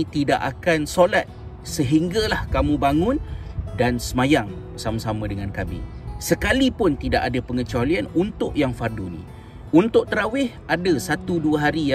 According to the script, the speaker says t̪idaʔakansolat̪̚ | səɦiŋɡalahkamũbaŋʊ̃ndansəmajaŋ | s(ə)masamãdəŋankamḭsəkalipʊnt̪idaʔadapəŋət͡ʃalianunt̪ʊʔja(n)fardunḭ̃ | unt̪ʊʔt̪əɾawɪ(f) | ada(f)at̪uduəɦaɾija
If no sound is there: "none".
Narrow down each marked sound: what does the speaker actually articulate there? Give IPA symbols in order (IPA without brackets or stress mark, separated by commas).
a, ŋ, h, s